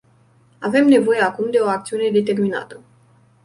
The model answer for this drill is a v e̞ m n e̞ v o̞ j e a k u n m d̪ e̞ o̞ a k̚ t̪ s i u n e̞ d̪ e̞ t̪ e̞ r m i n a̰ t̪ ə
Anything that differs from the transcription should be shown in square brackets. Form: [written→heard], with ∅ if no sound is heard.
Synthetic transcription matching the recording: a v e̞ m n e̞ v o̞ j e a k u [n→∅] m d̪ e̞ o̞ a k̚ t̪ s i u n e̞ d̪ e̞ t̪ e̞ r m i n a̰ t̪ ə